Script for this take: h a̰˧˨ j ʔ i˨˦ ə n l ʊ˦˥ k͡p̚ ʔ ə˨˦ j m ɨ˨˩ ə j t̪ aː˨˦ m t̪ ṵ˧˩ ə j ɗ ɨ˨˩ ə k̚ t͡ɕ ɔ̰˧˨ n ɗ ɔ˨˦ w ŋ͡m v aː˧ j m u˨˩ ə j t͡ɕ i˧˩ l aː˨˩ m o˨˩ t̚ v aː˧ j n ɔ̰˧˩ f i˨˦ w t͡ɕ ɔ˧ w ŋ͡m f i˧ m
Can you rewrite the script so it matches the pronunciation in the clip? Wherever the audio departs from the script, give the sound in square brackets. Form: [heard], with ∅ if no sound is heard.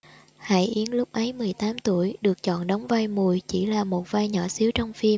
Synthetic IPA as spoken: h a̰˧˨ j ʔ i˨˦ ə n l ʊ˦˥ k͡p̚ ʔ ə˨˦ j m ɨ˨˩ ə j t̪ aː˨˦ m t̪ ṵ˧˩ ə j ɗ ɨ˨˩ ə k̚ t͡ɕ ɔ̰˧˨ n ɗ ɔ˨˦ w ŋ͡m v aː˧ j m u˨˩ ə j t͡ɕ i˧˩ l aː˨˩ m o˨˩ t̚ v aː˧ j [ɲ] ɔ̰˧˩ [s] i˨˦ w t͡ɕ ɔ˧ w ŋ͡m f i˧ m